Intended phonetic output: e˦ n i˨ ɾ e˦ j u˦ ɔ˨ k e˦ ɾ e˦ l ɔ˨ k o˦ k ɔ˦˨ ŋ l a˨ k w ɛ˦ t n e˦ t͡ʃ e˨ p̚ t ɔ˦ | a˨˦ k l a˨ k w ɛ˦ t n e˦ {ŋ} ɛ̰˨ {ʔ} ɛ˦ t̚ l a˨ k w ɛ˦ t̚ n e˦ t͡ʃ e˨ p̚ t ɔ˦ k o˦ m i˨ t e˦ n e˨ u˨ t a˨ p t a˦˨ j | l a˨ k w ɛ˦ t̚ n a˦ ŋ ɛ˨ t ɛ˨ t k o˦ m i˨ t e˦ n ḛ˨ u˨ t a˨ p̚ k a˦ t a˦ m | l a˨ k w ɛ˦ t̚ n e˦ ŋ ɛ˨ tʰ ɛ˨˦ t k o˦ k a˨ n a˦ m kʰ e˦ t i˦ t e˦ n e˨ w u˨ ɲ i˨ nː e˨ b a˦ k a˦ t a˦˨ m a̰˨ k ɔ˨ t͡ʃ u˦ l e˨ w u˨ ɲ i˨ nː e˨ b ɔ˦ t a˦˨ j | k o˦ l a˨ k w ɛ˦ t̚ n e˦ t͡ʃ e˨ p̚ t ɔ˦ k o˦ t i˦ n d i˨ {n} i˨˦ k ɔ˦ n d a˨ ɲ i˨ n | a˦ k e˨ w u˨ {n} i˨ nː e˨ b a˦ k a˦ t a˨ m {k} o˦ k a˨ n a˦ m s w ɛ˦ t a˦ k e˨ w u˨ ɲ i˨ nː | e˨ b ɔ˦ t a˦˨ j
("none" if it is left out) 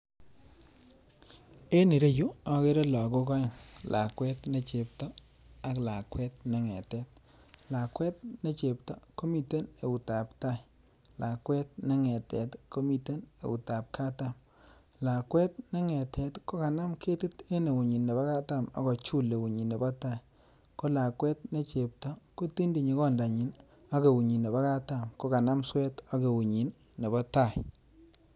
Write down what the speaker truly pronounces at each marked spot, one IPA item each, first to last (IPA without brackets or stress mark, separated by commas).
ŋ, t, ɲ, ɲ, k